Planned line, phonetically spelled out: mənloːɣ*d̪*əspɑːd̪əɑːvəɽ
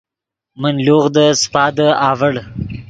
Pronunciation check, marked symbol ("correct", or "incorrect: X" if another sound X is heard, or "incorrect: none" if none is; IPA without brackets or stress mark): correct